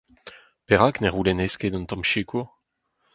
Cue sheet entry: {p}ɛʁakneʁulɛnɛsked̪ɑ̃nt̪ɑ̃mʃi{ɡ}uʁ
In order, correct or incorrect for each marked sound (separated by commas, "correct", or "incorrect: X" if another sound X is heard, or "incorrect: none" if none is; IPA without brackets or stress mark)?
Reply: correct, incorrect: k